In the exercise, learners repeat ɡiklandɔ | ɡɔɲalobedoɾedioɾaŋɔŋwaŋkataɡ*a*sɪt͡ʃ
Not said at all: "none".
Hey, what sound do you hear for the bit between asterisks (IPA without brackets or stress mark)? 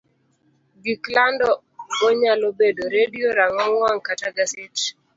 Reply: a